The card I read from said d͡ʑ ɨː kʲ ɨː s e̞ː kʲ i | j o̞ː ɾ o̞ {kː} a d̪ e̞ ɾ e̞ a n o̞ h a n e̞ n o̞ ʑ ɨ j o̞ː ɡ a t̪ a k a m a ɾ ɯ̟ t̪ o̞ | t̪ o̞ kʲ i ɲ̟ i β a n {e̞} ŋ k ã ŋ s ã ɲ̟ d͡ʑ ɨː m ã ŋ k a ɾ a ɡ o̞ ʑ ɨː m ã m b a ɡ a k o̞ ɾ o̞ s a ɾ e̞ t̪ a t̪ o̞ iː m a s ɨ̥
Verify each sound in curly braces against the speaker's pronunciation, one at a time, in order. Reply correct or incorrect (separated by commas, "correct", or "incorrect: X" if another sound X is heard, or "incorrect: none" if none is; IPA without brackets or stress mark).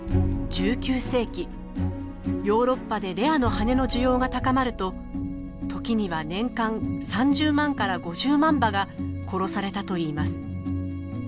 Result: incorrect: pː, incorrect: ẽ̞